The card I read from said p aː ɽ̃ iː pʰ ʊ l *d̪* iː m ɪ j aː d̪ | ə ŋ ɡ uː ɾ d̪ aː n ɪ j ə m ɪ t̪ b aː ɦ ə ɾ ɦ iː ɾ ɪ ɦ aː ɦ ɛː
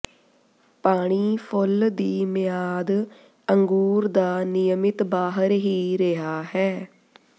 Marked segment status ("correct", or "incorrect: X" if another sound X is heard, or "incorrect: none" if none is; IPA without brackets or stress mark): correct